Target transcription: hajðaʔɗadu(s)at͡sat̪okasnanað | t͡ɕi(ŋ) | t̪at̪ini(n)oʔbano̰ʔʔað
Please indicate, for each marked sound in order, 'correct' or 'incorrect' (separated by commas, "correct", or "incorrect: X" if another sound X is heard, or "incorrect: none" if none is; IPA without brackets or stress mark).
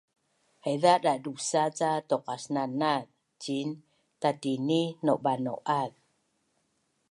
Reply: correct, incorrect: n, correct